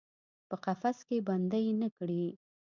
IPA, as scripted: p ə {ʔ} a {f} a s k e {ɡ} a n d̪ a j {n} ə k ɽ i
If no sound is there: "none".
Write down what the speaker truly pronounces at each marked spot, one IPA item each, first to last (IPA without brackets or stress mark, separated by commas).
q, f, b, n